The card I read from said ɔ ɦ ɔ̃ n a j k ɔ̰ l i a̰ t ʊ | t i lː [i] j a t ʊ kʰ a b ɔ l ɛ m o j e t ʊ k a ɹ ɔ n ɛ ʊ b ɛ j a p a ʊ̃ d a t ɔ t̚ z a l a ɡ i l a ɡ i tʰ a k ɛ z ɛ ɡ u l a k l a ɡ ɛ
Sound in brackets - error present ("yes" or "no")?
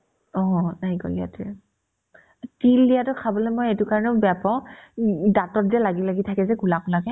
no